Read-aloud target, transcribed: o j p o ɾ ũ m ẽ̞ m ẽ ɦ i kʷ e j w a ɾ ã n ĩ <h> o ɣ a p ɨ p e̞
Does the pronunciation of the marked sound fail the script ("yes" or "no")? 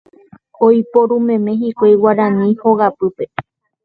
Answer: no